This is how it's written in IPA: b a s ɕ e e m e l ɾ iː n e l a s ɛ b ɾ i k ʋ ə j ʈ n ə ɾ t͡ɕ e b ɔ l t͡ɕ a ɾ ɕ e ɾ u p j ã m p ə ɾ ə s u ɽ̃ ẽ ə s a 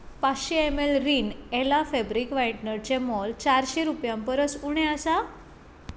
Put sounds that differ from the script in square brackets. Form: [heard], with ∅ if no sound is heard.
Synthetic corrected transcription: [p] a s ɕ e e m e l ɾ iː n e l a [f] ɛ b ɾ i k ʋ [a] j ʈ n ə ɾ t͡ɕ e [m] ɔ l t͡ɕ a ɾ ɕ e ɾ u p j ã m p ə ɾ ə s u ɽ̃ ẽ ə s a